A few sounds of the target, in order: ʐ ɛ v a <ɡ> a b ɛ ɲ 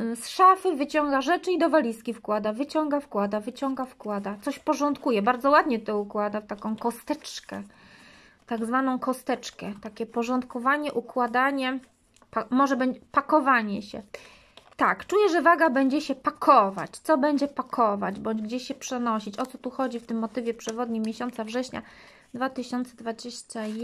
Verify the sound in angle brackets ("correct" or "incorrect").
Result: correct